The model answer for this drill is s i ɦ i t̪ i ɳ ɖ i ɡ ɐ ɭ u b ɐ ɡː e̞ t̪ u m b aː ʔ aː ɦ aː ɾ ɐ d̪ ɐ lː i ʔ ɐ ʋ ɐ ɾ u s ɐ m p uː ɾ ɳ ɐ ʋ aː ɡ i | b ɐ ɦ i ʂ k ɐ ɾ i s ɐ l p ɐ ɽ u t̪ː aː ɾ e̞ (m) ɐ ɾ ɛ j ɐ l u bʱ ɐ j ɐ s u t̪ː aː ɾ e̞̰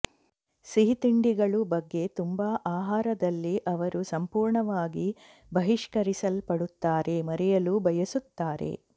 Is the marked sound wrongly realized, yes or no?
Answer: no